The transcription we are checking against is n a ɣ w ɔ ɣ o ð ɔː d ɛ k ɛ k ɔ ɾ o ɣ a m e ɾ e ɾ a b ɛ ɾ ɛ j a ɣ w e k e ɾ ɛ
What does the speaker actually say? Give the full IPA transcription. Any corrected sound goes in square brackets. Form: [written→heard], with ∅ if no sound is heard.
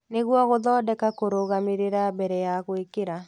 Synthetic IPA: n [a→e] ɣ w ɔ ɣ o ð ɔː d ɛ k [ɛ→a] k [ɔ→o] ɾ o ɣ a m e ɾ e ɾ a b ɛ ɾ ɛ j a ɣ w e k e ɾ [ɛ→a]